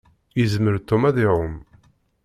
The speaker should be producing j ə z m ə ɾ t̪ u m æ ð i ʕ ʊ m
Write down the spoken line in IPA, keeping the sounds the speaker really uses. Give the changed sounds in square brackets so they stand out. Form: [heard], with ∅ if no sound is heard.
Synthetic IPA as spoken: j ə z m ə ɾ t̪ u m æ ð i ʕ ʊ m